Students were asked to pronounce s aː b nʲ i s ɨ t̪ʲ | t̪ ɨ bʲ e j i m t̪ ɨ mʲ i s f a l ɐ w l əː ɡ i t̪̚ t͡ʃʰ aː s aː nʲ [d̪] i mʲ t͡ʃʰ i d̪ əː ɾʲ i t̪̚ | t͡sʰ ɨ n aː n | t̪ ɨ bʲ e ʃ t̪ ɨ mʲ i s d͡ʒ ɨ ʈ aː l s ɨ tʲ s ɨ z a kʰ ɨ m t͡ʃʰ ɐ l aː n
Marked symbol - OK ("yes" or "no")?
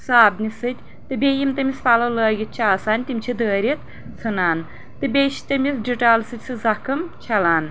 no